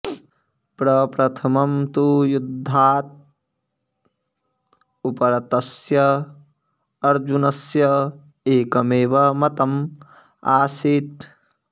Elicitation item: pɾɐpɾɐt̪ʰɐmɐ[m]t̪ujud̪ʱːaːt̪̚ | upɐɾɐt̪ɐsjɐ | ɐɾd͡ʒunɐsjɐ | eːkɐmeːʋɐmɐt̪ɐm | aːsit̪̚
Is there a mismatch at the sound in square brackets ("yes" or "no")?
no